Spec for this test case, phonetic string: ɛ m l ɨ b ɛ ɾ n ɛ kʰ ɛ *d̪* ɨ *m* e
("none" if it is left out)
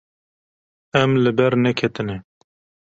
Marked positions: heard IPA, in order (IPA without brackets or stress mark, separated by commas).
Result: t̪, n